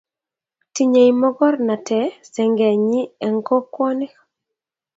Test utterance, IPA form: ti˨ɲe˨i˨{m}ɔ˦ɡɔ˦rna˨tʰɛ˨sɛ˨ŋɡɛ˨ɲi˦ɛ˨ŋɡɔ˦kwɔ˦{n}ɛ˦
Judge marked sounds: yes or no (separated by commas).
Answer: yes, yes